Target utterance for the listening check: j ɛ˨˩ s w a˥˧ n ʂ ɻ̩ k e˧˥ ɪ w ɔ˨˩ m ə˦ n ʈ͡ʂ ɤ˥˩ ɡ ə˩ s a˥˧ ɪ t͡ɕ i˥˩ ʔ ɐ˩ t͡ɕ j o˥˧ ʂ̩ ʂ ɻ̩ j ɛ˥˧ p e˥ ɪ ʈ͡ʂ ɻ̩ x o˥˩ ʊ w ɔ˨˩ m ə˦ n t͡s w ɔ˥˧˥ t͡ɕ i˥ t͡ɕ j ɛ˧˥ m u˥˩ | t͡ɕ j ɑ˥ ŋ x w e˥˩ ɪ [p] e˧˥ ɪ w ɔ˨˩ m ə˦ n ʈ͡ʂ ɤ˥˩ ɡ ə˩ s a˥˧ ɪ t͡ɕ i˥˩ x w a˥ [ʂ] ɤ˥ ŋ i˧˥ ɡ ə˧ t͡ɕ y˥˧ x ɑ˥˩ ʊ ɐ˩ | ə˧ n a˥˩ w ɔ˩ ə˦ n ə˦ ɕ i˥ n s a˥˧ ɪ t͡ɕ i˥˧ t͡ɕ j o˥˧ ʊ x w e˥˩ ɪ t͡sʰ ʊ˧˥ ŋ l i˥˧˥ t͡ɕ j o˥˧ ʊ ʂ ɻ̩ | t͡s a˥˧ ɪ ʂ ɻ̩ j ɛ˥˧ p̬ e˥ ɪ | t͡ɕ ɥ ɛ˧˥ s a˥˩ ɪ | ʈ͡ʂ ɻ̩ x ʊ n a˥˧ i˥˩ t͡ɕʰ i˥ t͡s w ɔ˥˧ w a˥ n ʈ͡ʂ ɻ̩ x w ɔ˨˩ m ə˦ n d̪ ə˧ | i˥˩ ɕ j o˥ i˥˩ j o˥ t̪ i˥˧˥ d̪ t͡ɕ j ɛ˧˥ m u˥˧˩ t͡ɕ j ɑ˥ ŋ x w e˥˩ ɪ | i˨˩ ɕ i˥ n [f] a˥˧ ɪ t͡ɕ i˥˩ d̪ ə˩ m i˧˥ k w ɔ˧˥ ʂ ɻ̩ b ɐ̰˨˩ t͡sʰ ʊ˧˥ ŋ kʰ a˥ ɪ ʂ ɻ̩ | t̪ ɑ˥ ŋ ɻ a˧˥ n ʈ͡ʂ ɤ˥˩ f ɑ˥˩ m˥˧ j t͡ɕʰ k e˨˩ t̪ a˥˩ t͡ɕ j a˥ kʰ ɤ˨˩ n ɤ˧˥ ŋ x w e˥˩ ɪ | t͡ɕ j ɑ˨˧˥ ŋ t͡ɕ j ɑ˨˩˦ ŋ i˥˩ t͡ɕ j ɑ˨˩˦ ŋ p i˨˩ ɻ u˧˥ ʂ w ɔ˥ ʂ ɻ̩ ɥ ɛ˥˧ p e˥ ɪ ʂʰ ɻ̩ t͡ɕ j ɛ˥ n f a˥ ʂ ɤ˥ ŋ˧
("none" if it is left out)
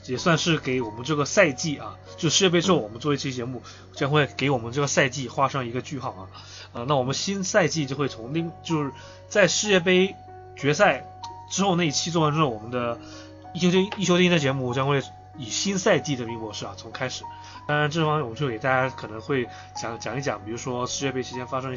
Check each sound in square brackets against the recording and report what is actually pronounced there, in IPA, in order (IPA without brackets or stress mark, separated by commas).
k, ʂ, s